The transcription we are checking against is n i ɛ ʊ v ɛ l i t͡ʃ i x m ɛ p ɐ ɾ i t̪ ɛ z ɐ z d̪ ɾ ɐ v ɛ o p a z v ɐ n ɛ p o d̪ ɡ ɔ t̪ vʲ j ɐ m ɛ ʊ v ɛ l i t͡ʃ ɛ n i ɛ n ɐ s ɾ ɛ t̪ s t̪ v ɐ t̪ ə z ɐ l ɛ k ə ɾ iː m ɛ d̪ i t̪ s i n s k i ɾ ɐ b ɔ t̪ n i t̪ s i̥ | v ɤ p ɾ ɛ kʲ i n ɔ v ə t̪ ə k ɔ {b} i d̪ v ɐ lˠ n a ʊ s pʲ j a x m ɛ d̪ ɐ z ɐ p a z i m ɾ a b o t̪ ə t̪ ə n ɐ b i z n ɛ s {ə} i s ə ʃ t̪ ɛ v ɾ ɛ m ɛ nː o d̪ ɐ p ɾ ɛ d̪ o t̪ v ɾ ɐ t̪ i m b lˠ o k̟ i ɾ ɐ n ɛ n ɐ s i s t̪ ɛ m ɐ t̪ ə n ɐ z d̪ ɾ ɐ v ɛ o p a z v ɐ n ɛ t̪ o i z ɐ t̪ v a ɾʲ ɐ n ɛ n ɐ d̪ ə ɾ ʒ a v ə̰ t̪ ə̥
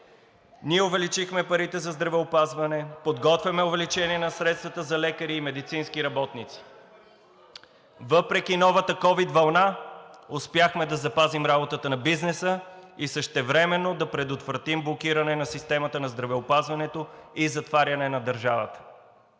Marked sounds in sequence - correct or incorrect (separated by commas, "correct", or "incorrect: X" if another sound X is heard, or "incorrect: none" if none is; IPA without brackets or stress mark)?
incorrect: v, correct